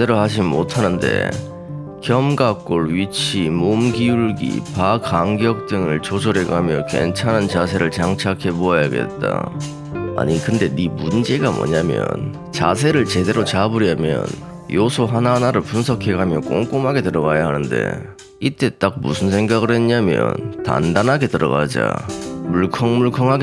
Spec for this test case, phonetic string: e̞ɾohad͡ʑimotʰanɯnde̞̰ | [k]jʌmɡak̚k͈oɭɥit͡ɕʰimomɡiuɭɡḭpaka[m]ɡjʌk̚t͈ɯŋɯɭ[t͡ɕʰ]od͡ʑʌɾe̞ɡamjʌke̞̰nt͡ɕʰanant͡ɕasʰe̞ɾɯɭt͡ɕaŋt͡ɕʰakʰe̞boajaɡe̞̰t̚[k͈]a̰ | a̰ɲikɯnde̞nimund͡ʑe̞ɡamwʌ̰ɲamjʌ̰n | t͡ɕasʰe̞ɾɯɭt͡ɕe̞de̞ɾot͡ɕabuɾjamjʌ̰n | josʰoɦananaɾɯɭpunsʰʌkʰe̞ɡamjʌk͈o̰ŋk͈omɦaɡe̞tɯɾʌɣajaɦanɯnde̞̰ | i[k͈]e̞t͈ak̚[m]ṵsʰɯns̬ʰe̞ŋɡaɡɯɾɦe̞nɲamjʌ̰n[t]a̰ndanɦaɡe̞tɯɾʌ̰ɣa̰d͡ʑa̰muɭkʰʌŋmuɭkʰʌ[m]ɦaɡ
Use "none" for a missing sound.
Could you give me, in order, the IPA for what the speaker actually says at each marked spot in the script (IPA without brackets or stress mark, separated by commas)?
k, ŋ, t͡ɕ, t͈, t͈, m, t, ŋ